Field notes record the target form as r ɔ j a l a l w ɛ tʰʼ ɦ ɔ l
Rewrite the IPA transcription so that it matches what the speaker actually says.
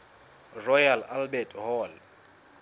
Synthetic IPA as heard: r ɔ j a l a l b ɛ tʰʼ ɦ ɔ l